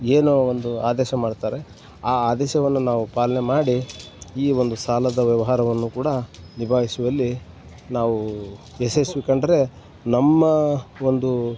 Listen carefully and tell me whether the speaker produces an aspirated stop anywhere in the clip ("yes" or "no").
no